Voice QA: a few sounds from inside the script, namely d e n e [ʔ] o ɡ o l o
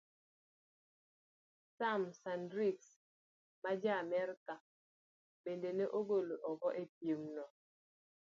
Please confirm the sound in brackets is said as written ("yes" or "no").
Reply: yes